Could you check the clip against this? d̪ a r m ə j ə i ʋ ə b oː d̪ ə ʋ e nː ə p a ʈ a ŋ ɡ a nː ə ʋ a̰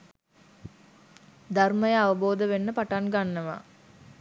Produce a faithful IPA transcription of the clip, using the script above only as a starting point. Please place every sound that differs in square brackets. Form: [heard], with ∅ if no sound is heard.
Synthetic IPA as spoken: d̪ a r m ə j ə [a] ʋ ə b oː d̪ ə ʋ e nː ə p a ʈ a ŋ ɡ a nː ə ʋ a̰